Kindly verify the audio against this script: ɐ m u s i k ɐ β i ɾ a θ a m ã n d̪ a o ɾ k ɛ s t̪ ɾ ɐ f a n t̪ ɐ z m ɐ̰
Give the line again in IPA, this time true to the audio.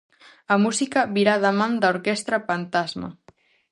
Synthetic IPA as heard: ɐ m u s i k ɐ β i ɾ a ð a m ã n d̪ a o ɾ k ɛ s t̪ ɾ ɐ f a n t̪ a z m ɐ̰